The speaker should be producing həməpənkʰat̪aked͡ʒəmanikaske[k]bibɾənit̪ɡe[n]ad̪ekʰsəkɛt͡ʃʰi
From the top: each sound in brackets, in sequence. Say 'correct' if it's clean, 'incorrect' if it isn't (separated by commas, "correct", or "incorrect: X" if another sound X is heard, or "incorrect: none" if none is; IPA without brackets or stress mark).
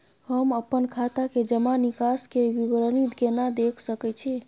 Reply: incorrect: none, correct